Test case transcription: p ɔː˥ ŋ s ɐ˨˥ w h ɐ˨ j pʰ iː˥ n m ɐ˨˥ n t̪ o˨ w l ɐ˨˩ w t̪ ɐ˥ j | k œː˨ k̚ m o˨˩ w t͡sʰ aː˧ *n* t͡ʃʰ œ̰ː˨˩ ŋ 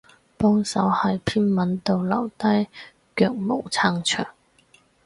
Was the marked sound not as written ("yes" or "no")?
yes